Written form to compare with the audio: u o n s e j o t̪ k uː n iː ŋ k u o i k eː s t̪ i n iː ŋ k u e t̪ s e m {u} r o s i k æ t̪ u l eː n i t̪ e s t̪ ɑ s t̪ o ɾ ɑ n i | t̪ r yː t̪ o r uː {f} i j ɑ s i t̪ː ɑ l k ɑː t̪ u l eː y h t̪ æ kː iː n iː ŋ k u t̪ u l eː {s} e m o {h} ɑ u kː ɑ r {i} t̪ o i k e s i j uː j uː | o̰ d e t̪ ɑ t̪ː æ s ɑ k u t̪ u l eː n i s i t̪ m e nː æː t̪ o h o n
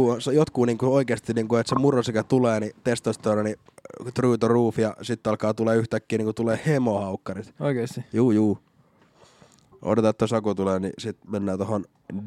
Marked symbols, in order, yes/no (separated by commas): yes, yes, no, yes, yes